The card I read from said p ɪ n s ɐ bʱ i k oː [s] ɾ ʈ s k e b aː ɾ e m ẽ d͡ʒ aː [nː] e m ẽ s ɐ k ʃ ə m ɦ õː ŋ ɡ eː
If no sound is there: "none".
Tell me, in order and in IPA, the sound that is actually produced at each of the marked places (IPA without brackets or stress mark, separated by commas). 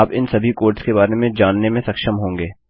none, nː